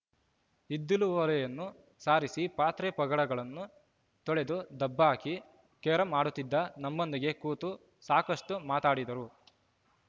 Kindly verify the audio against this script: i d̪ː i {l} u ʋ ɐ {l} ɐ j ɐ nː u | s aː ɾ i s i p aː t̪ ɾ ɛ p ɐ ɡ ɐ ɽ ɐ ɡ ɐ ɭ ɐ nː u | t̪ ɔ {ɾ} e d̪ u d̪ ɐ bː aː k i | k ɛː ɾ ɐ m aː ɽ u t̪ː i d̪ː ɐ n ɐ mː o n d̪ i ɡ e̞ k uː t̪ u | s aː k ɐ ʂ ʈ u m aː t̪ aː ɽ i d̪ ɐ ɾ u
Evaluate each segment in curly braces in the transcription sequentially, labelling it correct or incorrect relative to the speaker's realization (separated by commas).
correct, correct, incorrect